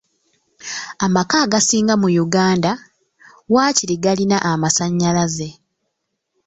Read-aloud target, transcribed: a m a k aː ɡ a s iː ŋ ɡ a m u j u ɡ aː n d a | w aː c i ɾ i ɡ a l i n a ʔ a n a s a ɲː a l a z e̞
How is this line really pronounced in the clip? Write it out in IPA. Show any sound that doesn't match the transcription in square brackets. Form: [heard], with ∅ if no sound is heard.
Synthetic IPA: a m a k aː ɡ a s iː ŋ ɡ a m u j u ɡ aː n d a | w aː c i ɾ i ɡ a l i n a ʔ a [m] a s a ɲː a l a z e̞